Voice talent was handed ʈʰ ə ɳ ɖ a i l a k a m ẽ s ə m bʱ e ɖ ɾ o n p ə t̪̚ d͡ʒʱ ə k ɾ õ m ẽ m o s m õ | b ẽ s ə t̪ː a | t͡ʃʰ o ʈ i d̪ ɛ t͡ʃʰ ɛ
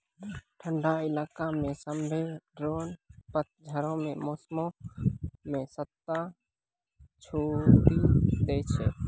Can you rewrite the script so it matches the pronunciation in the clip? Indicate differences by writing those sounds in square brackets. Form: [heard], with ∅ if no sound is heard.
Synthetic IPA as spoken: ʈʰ ə ɳ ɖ a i l a k a m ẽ s ə m bʱ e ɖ ɾ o n p ə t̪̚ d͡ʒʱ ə [∅] ɾ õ m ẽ m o s m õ | [m] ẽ s ə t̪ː a | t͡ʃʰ o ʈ i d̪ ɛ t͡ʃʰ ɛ